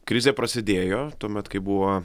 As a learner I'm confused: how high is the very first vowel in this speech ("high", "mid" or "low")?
high